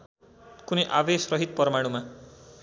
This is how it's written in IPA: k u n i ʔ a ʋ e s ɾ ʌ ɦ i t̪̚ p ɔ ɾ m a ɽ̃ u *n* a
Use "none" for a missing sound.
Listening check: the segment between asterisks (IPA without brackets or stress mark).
m